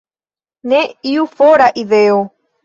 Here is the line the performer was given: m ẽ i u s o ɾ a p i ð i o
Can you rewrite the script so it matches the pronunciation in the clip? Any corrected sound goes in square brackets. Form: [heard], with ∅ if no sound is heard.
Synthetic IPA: [n] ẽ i u [f] o ɾ a [ʔ] i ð [e] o